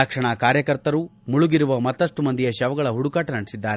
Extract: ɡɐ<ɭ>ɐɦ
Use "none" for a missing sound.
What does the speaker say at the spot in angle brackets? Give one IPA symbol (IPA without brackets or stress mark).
ɭ